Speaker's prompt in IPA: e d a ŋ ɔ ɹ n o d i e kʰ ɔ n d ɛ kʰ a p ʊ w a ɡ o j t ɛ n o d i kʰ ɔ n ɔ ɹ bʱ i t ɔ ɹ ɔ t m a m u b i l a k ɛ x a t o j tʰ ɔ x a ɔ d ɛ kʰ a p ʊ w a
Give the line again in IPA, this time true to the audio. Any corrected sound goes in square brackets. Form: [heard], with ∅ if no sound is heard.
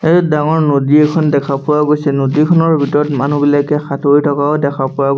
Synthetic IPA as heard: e d a ŋ ɔ ɹ n o d i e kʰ ɔ n d ɛ kʰ a p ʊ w a ɡ o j [s] ɛ n o d i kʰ ɔ n ɔ ɹ bʱ i t ɔ ɹ ɔ t m a [n] u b i l a k ɛ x a t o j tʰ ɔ [k] a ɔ d ɛ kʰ a p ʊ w a